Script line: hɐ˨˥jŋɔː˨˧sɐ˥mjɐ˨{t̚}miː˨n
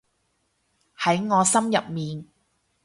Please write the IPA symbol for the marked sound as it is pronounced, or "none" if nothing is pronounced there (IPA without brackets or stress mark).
p̚